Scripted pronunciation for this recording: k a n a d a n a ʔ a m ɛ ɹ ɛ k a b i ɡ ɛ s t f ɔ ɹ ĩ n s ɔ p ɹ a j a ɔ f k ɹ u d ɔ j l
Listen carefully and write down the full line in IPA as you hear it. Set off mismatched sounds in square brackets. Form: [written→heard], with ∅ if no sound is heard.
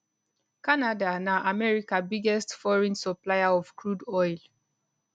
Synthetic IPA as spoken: k a n a d a n a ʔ a m ɛ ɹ [ɛ→i] k a b i ɡ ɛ s t f ɔ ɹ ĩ n s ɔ p [ɹ→l] a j a ɔ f k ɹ u d ɔ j l